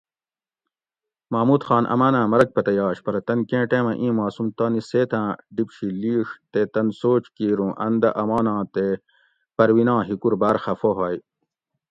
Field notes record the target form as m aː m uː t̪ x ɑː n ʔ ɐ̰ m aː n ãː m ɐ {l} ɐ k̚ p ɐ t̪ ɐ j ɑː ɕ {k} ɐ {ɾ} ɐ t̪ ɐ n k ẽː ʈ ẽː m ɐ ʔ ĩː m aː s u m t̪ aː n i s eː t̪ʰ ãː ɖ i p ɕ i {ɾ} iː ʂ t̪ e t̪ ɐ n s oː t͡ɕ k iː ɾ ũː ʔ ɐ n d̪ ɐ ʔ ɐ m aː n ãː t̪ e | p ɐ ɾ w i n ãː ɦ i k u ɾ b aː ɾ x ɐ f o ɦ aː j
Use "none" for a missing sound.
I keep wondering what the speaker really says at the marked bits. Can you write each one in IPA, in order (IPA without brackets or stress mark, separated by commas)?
ɾ, p, ɾ, l